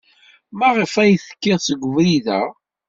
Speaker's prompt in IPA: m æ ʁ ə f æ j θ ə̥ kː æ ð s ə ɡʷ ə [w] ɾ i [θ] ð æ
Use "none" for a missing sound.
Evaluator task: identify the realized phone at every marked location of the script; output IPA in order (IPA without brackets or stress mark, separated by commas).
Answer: v, none